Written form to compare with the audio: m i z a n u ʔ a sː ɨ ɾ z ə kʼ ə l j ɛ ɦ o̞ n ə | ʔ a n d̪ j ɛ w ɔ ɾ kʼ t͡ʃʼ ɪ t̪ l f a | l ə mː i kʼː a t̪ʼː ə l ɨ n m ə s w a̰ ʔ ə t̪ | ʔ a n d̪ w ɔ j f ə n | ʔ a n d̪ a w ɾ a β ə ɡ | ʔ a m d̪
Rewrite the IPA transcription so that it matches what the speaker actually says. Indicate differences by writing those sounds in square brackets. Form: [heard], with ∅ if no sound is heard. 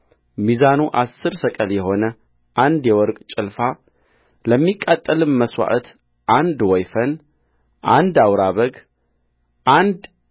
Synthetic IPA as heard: m i z a n u ʔ a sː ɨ ɾ [s] ə kʼ ə l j ɛ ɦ o̞ n ə | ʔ a n d̪ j ɛ w ɔ ɾ kʼ t͡ʃʼ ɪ [∅] l f a | l ə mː i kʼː a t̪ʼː ə l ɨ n m ə s w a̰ ʔ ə t̪ | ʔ a n d̪ w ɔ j f ə n | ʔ a n d̪ a w ɾ a β ə ɡ | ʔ a [n] d̪